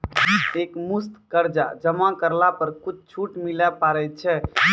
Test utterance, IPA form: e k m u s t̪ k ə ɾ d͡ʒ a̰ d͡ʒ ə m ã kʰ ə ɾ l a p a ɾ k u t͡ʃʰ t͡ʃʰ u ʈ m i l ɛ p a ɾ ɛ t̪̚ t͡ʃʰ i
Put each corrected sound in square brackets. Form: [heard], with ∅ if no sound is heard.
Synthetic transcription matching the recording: e k m u s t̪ k ə ɾ d͡ʒ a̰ d͡ʒ ə m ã [k] ə ɾ l a p [ə] ɾ k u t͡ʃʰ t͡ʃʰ u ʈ m i l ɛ p a ɾ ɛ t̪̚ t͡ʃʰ [ɛ]